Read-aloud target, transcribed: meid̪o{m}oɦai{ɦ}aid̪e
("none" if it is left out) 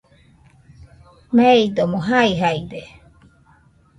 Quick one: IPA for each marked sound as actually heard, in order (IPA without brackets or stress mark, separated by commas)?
m, ɦ